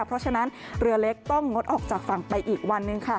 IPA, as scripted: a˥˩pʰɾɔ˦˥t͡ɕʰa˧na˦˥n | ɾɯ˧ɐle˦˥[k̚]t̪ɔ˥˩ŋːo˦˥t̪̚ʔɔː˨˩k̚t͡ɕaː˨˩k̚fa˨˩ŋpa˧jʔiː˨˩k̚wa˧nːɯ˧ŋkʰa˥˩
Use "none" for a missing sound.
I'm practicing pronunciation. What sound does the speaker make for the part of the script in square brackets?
k̚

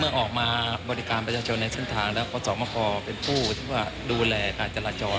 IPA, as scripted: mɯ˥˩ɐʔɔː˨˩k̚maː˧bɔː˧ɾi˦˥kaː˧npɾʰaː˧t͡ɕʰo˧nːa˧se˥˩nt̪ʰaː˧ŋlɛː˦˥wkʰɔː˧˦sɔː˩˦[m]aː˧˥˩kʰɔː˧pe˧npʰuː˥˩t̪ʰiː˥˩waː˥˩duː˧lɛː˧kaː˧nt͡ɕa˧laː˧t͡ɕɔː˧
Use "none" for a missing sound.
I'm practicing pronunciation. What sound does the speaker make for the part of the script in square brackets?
m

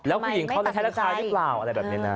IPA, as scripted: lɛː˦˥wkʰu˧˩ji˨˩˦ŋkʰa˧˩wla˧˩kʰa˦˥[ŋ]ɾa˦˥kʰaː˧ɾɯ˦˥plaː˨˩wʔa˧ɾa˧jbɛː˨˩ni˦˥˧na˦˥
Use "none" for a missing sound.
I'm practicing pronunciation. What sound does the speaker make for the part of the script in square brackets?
none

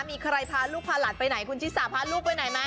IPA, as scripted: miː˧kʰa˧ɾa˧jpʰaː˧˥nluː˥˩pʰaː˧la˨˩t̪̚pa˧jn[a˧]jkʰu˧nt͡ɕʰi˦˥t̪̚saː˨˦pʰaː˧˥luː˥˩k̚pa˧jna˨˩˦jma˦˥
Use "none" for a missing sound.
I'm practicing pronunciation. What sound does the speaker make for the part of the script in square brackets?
a˩˦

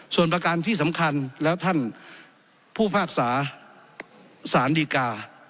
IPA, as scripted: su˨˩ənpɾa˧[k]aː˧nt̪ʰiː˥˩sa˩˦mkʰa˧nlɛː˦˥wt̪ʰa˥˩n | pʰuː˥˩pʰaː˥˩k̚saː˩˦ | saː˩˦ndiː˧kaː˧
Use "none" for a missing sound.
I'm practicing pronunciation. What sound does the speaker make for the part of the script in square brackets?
k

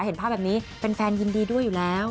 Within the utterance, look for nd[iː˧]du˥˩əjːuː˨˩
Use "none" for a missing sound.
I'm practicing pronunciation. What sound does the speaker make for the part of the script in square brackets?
iː˧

